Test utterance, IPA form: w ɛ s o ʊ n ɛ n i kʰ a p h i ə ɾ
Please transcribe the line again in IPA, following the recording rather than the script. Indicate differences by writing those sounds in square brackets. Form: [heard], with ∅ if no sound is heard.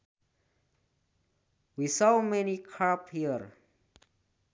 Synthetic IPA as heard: w [i] s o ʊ [m] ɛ n i kʰ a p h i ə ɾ